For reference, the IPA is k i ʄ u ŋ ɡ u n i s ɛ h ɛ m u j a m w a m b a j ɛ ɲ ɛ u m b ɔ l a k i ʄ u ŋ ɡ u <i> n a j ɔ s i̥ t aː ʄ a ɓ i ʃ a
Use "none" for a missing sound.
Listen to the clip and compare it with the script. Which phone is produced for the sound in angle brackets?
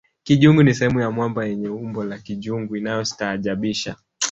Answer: i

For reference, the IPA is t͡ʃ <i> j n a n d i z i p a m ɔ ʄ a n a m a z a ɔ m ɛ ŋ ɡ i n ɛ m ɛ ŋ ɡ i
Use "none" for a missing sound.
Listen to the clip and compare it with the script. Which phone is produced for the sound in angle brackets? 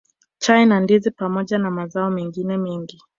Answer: a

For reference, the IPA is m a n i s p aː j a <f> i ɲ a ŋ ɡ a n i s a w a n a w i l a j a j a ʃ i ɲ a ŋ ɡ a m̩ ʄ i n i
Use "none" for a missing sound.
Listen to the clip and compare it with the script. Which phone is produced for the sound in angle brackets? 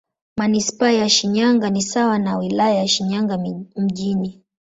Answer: ʃ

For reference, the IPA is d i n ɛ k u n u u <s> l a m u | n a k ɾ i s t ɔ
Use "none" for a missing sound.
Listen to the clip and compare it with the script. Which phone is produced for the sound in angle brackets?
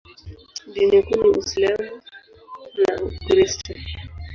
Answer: s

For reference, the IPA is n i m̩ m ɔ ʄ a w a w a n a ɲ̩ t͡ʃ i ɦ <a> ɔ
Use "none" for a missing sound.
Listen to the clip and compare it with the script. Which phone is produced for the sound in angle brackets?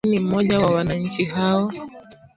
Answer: a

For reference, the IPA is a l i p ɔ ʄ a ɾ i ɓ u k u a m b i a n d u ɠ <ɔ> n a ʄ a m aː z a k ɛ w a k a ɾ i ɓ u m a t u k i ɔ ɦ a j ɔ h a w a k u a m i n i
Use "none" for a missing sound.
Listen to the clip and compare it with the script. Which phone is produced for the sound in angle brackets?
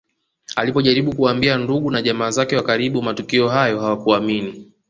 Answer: u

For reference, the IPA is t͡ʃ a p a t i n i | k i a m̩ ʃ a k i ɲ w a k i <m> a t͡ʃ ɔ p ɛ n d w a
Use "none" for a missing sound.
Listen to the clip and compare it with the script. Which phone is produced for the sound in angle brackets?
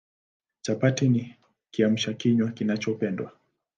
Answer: n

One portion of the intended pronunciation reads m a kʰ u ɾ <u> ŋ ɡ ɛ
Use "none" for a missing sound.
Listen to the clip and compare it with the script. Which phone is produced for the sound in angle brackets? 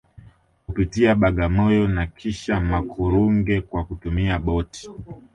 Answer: u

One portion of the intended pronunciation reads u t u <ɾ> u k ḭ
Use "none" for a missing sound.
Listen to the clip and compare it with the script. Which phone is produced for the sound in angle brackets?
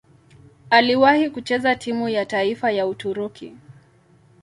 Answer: ɾ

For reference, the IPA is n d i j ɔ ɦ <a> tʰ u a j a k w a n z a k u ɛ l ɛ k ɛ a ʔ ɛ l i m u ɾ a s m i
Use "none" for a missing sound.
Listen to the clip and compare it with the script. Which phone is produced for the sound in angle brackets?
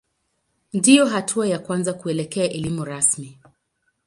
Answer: a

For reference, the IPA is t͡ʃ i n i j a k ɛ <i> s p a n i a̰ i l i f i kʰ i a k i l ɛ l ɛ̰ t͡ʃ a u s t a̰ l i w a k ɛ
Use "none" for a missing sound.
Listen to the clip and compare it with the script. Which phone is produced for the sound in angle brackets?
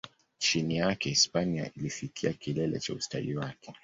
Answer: i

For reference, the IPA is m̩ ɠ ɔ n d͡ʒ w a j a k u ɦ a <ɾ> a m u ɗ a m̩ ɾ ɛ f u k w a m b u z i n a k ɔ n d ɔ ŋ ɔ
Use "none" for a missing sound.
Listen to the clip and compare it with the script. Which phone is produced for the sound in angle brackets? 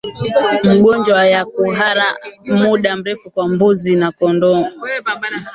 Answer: ɾ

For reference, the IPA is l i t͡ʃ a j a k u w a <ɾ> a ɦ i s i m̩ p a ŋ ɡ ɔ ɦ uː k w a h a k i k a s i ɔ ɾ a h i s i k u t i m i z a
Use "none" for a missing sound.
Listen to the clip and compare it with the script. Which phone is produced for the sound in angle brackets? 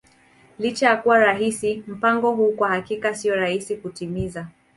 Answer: ɾ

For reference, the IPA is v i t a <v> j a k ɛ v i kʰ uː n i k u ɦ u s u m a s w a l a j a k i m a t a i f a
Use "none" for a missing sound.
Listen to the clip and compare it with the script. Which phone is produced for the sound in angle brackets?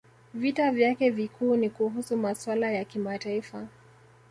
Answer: v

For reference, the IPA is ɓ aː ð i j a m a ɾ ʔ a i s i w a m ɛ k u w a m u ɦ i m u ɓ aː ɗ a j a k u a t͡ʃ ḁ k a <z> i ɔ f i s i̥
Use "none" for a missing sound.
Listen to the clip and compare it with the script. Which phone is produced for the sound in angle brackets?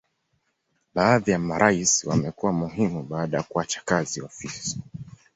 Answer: z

